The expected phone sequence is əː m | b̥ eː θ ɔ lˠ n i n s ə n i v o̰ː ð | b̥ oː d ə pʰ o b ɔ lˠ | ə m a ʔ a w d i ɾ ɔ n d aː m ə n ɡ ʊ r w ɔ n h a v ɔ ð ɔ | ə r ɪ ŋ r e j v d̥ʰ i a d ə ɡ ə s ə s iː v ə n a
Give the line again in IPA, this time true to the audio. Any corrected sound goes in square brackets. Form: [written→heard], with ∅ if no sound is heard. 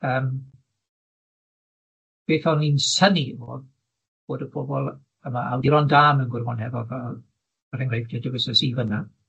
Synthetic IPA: əː m | b̥ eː θ ɔ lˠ n i n s ə n i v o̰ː ð | b̥ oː d ə pʰ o b ɔ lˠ | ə m a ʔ a w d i ɾ ɔ n d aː m ə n ɡ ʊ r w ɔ n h [a→ɛ] v ɔ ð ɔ | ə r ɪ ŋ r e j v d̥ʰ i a d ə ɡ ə s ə s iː v ə n a